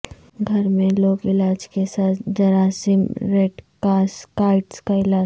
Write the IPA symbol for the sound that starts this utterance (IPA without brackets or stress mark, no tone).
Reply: ɡʱ